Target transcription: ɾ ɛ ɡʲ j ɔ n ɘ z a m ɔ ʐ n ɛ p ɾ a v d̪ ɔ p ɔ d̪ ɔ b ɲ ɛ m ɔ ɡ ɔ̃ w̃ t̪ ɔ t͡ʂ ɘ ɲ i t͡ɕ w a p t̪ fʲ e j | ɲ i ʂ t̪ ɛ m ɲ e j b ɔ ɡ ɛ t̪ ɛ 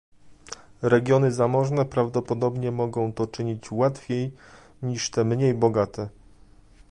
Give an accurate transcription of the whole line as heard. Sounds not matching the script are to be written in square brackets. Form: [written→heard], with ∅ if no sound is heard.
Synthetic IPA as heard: ɾ ɛ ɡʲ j ɔ n ɘ z a m ɔ ʐ n ɛ p ɾ a v d̪ ɔ p ɔ d̪ ɔ b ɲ ɛ m ɔ ɡ ɔ̃ w̃ t̪ ɔ t͡ʂ ɘ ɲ i t͡ɕ w a [p→∅] t̪ fʲ e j | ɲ i ʂ t̪ ɛ m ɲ e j b ɔ ɡ [ɛ→a] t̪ ɛ